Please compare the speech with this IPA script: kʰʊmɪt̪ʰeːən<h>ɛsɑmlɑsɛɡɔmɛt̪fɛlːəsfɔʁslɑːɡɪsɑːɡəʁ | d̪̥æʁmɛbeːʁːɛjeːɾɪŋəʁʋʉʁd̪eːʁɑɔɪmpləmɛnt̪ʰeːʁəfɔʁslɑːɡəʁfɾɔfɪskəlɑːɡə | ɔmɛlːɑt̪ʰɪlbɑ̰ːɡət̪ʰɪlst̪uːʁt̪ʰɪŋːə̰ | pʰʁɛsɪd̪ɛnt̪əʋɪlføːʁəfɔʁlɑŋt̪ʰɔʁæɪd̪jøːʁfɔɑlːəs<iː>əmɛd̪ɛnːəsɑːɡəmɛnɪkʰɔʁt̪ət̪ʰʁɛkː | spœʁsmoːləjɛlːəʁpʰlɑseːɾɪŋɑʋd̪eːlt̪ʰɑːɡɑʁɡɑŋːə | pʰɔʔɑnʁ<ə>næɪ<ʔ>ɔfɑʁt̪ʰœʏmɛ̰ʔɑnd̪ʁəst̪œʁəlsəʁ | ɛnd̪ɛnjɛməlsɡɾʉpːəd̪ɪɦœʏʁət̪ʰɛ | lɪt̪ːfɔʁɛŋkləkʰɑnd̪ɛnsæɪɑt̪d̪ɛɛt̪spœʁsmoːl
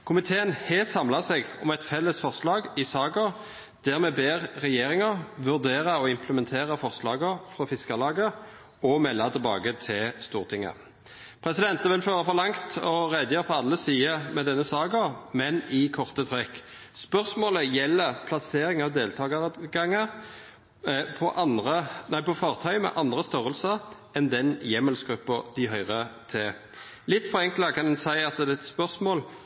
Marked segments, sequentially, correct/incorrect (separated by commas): correct, correct, correct, incorrect